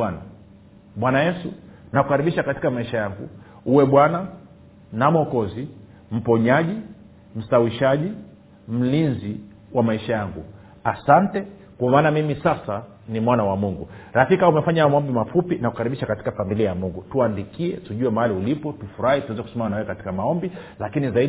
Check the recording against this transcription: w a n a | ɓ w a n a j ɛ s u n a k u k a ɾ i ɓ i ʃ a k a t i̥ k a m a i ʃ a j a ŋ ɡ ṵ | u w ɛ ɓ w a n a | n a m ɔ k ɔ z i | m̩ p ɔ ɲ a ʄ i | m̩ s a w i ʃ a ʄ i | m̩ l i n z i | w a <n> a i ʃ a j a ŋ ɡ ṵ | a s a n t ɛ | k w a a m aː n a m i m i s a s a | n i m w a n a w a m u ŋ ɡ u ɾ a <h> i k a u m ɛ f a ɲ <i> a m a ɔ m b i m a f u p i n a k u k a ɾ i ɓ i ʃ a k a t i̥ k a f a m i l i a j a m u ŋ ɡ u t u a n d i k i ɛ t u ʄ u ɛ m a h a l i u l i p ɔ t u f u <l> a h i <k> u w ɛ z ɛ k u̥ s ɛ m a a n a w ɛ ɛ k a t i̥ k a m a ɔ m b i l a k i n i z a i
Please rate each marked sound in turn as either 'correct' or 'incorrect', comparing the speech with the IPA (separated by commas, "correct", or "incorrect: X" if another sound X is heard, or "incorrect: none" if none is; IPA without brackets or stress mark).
incorrect: m, incorrect: f, incorrect: a, incorrect: ɾ, incorrect: t